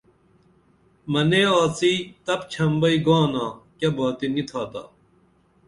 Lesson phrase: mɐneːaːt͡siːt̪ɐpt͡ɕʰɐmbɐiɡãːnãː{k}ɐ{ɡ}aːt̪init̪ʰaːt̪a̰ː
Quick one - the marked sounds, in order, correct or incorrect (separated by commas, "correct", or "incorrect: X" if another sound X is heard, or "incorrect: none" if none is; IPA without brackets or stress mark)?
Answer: correct, incorrect: b